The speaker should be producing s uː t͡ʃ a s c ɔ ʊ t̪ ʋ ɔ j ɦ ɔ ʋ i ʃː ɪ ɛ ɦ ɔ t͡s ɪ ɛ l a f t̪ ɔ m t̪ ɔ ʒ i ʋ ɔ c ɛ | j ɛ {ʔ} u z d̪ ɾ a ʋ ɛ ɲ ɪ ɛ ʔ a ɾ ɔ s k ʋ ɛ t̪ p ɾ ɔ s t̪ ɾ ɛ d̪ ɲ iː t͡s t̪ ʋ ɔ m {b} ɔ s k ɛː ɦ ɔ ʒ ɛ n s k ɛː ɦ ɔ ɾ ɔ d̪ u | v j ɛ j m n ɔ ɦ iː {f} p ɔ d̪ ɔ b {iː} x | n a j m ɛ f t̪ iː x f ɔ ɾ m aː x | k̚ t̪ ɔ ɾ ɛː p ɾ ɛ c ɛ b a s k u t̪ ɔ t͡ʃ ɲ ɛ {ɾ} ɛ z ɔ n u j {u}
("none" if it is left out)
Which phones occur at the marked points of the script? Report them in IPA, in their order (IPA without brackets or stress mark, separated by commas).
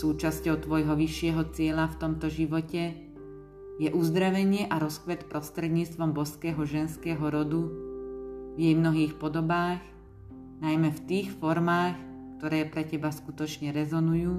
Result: ʔ, b, x, aː, ɾ, uː